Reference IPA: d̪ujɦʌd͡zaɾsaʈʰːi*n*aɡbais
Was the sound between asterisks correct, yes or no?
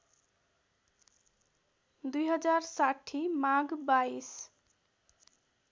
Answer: no